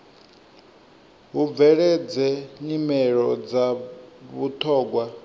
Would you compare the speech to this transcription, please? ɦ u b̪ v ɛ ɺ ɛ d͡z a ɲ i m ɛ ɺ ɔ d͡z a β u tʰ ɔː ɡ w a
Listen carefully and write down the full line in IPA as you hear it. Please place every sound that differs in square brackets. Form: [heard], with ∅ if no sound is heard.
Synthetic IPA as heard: ɦ u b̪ v ɛ ɺ ɛ d͡z [ɛ] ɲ i m ɛ ɺ ɔ d͡z a β u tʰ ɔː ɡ w a

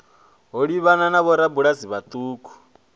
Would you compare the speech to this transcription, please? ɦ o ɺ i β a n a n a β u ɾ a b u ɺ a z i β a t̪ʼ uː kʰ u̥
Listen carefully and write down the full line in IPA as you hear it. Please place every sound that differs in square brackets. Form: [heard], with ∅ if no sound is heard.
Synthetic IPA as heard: ɦ o ɺ i β a n a n a β [ɔ] ɾ a b u ɺ a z i β a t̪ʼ uː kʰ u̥

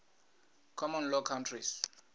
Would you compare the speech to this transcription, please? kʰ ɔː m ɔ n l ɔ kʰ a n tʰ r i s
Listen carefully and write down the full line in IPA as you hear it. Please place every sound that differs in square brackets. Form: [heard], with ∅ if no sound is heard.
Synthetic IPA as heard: kʰ [ɔ] m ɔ n l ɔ kʰ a n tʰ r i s

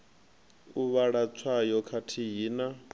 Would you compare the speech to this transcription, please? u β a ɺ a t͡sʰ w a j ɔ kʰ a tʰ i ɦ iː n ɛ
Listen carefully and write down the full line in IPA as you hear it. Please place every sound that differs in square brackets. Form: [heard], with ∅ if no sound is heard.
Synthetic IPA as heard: u β a ɺ a t͡sʰ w a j ɔ kʰ a tʰ i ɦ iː n [a]

